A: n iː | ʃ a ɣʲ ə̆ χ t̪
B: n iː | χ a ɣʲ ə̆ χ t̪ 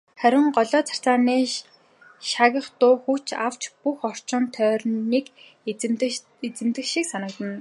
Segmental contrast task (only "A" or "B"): A